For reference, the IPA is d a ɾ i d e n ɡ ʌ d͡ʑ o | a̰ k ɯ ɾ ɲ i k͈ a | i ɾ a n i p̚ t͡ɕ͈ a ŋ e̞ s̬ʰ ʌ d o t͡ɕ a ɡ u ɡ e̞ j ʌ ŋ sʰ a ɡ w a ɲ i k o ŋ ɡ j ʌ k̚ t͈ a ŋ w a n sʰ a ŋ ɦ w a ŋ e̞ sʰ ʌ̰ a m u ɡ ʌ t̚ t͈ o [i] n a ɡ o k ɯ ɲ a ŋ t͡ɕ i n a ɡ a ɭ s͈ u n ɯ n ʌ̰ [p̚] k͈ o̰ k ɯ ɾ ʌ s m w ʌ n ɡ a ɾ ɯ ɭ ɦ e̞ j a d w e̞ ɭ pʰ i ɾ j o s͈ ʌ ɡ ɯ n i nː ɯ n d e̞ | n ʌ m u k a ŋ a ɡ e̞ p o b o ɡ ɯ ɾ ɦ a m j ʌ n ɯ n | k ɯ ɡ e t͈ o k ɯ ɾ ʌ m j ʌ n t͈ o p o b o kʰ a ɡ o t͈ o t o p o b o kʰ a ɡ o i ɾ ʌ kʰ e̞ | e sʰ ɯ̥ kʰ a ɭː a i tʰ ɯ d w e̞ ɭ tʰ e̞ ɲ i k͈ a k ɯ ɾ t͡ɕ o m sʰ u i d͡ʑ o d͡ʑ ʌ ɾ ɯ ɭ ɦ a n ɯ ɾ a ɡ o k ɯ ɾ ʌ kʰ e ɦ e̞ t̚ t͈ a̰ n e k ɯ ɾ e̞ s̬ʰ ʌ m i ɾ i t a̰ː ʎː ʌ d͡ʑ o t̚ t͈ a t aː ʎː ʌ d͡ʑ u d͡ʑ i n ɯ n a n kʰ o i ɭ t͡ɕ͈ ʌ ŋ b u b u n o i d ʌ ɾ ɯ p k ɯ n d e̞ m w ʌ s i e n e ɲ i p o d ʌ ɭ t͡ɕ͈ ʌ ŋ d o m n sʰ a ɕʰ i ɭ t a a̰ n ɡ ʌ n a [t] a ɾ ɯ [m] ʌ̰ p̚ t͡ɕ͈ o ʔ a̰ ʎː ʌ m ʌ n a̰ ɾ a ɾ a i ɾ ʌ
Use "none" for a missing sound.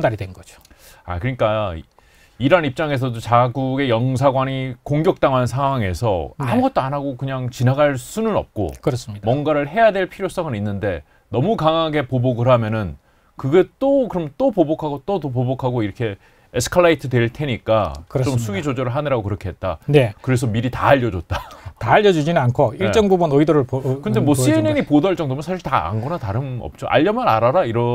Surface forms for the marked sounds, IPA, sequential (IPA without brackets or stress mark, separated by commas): a, p̚, t, m